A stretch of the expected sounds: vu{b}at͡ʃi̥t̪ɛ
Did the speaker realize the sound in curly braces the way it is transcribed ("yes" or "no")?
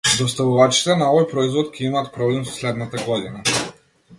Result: no